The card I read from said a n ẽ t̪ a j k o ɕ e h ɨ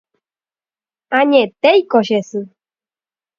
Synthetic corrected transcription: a ɲ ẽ t̪ e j k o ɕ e s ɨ